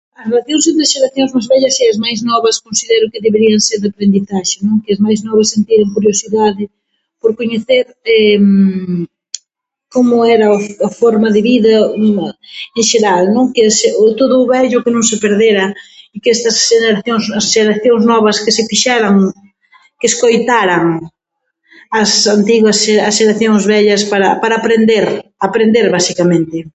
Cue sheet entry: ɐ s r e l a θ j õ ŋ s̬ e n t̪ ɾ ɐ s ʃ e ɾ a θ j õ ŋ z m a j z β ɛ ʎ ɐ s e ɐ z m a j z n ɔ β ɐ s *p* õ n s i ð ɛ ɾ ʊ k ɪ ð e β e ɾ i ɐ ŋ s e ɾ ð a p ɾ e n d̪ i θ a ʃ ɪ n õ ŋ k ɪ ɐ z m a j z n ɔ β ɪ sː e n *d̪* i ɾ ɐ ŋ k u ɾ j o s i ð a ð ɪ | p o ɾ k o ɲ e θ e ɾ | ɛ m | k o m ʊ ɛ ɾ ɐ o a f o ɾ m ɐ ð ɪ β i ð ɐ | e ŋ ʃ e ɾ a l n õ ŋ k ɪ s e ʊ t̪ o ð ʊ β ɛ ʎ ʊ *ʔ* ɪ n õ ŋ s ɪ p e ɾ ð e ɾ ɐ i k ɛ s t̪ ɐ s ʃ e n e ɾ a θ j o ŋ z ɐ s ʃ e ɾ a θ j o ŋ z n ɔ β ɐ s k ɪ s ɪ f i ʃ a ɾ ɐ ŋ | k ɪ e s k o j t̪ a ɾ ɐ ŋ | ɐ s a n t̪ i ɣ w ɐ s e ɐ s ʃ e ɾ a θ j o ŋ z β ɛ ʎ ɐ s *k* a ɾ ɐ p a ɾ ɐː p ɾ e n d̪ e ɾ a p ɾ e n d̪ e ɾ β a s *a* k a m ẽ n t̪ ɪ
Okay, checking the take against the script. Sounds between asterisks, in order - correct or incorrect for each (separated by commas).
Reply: incorrect, incorrect, incorrect, incorrect, incorrect